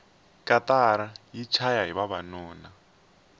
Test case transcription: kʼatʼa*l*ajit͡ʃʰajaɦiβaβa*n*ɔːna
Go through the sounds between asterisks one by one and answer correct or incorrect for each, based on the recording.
incorrect: ɾ, correct

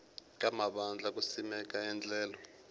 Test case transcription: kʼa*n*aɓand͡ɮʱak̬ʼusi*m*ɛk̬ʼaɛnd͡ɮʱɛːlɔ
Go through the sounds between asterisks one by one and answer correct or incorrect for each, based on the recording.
incorrect: m, correct

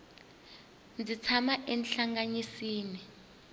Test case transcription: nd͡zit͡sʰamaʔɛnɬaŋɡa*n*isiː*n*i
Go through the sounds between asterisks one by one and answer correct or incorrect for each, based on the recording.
incorrect: ɲ, correct

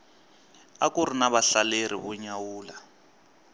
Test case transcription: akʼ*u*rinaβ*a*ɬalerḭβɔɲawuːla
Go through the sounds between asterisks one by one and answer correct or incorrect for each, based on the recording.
correct, correct

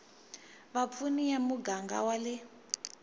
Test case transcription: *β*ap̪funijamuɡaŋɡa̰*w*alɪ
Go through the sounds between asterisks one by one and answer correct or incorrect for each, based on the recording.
correct, correct

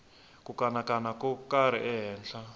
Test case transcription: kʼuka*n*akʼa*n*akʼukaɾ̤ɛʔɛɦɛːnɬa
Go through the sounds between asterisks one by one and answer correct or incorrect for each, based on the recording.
correct, correct

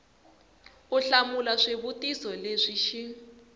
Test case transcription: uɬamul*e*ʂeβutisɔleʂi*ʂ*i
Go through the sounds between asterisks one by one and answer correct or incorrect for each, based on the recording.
incorrect: a, incorrect: ʃ

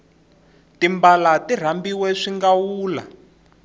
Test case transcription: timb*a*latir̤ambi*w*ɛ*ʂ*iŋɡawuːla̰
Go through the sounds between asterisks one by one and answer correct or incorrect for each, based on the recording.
correct, correct, correct

